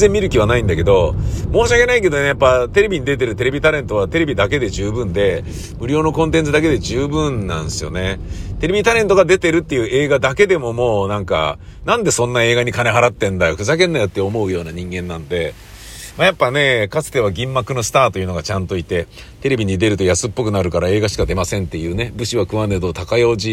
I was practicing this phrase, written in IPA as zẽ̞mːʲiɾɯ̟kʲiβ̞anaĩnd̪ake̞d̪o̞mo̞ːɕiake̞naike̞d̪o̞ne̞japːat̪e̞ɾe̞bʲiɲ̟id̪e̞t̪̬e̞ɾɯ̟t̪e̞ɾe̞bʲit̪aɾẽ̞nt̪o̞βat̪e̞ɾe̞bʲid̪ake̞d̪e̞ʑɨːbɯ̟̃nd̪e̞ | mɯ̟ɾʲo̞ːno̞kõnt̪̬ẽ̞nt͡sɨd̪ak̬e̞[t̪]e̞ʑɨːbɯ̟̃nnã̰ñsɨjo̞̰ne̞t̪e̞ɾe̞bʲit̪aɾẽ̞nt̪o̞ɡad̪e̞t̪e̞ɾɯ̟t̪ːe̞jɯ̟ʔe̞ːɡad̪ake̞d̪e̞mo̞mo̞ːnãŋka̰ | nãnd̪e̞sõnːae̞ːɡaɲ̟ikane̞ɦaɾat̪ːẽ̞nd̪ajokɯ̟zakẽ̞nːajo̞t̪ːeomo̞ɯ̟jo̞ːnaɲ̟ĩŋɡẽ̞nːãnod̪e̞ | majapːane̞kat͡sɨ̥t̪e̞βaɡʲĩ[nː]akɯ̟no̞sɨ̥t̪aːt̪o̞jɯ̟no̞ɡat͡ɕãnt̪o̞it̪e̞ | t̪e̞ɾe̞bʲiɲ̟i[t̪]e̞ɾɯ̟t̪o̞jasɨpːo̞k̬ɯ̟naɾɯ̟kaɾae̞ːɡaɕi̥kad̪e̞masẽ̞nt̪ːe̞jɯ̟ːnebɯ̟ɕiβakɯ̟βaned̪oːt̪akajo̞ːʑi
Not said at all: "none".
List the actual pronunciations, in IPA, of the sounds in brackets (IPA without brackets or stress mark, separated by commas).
d̪, mː, d̪